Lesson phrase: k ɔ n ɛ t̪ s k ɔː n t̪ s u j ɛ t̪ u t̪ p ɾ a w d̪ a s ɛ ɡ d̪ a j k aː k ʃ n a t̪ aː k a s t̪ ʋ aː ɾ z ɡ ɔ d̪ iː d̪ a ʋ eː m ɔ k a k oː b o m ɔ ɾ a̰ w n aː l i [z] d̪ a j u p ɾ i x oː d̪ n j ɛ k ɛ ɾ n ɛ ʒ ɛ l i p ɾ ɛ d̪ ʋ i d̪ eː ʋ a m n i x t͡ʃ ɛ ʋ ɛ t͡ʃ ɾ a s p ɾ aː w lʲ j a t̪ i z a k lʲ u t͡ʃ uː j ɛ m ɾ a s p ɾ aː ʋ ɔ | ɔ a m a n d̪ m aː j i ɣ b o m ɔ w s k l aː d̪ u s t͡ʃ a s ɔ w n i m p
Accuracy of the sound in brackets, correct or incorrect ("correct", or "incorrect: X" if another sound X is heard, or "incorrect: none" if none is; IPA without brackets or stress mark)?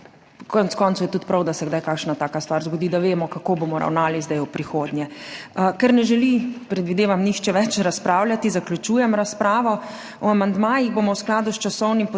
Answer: correct